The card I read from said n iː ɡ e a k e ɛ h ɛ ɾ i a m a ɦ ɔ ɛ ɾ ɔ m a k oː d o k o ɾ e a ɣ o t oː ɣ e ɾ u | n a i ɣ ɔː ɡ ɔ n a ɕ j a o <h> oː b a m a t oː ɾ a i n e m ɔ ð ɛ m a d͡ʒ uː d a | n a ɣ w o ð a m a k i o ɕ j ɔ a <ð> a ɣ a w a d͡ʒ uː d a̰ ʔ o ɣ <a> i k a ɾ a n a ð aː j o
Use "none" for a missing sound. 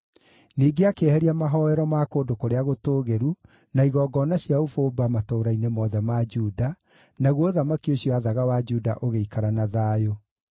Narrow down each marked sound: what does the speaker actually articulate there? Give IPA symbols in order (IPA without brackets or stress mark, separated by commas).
f, ð, e